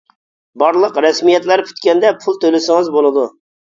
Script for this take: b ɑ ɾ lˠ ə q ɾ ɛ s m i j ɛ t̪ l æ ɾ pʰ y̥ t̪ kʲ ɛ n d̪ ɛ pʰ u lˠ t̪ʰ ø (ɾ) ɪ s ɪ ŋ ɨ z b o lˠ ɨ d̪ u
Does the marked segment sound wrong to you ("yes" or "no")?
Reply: yes